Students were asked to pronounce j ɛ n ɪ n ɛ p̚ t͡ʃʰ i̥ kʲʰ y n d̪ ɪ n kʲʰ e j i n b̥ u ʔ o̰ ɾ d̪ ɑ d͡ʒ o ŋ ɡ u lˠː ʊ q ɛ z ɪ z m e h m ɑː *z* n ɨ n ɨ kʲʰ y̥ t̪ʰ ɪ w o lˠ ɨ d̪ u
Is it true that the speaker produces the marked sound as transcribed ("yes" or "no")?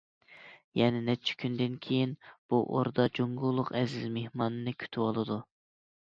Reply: no